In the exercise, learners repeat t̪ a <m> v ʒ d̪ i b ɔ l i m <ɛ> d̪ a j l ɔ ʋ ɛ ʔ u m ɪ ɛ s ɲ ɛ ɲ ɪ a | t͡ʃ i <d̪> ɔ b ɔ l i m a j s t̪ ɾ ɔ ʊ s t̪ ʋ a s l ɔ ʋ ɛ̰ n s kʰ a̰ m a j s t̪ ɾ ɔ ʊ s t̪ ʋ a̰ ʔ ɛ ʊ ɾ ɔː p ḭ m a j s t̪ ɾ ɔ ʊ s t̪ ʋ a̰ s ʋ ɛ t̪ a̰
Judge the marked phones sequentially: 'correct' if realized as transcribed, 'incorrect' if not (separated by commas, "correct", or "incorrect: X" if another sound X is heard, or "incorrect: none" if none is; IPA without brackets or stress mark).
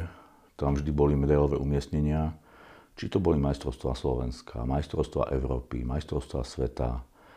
correct, correct, incorrect: t̪